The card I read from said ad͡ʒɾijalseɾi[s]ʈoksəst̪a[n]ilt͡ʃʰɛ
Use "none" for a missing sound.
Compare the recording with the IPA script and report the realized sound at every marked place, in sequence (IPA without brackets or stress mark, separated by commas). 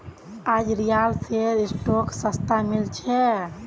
s, m